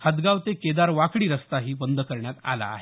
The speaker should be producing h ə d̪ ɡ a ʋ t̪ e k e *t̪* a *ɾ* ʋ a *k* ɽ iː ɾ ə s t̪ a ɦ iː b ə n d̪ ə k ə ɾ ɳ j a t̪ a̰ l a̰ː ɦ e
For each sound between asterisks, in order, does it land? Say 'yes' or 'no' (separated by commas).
no, yes, yes